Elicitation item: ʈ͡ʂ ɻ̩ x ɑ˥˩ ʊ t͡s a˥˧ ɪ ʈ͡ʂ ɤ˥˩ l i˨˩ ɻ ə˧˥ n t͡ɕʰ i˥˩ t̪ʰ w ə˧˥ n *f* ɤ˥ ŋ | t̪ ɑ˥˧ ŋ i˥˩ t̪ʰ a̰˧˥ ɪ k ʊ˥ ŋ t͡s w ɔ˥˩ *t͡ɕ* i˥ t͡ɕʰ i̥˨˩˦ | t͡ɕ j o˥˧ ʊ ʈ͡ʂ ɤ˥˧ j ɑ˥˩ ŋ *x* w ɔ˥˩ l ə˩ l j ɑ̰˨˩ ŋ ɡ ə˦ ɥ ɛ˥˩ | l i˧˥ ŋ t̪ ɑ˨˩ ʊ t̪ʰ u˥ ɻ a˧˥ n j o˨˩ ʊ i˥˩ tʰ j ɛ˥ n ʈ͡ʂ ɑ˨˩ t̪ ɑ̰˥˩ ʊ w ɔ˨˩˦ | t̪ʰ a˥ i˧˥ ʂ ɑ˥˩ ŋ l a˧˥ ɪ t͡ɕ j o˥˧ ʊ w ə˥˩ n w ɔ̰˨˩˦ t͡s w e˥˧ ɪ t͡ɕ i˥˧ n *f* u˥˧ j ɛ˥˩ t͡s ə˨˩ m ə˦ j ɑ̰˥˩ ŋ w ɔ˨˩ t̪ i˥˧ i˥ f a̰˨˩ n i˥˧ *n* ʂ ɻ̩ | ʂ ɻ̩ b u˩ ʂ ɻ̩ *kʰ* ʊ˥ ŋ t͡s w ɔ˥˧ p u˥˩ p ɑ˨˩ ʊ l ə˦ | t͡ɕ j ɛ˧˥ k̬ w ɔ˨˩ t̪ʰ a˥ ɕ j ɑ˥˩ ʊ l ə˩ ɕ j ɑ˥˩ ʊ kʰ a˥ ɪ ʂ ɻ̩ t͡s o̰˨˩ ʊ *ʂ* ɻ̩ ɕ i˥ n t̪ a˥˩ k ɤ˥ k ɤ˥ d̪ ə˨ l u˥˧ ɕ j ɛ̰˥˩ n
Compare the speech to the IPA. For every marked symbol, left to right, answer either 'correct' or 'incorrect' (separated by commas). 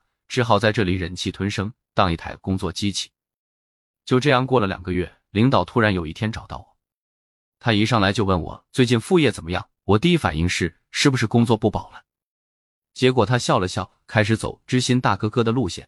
incorrect, correct, incorrect, correct, incorrect, incorrect, incorrect